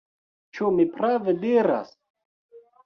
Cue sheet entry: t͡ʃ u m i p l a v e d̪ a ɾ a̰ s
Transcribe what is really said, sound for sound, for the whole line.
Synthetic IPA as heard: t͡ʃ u m i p ɾ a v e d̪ i ɾ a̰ s